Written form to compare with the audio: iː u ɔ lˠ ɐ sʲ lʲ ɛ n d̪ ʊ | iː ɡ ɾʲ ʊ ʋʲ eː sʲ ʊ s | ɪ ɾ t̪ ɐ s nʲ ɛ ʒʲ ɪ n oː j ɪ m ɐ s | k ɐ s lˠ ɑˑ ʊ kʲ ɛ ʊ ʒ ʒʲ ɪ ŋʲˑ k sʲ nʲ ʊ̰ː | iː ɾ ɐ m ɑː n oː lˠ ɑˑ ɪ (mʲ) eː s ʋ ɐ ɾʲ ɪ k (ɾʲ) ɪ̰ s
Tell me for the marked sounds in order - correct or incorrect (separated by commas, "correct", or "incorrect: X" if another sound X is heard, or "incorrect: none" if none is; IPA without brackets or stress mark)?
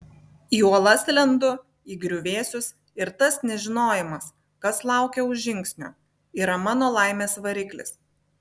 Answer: correct, incorrect: lʲ